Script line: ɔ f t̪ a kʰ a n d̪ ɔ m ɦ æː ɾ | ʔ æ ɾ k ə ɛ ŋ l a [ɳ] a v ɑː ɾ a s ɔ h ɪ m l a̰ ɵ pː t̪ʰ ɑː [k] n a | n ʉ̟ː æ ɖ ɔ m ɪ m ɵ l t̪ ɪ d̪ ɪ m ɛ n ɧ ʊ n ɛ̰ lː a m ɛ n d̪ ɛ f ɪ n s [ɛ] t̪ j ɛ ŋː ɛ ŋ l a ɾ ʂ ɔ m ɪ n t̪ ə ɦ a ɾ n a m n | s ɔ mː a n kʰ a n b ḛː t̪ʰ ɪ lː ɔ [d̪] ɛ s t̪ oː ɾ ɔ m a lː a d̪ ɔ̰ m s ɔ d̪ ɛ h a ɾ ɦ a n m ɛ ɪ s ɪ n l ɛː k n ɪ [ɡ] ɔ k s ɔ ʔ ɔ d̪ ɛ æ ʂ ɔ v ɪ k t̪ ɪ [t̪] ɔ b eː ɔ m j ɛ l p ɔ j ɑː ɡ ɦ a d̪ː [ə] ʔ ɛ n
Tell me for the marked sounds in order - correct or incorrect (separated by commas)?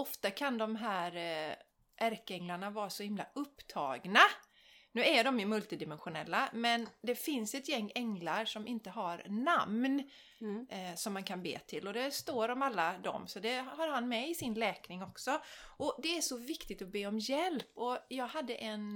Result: correct, incorrect, correct, correct, incorrect, correct, correct